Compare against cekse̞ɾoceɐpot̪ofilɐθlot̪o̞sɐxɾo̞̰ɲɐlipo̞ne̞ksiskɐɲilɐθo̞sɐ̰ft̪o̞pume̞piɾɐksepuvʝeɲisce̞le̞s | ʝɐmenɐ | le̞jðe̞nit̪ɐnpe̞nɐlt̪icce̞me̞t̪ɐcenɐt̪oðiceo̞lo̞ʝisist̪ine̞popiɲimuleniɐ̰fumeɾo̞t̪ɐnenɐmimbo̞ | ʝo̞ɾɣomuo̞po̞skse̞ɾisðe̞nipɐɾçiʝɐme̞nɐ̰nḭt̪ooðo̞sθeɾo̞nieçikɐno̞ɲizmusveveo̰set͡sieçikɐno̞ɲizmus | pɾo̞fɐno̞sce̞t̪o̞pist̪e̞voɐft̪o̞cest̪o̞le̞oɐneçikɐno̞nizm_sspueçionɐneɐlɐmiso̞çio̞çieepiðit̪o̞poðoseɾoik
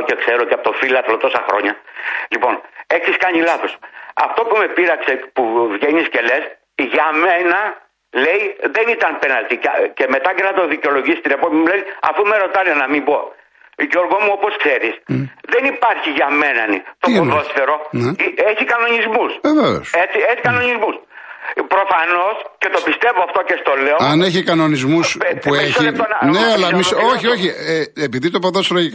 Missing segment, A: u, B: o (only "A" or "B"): A